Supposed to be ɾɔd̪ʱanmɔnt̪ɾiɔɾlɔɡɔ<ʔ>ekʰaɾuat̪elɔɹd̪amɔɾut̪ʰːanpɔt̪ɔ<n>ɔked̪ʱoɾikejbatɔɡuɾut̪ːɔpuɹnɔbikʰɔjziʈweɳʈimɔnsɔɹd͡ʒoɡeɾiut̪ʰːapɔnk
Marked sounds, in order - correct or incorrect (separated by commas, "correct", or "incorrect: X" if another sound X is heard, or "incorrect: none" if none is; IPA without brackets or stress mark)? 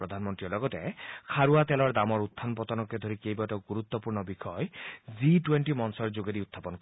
incorrect: t, correct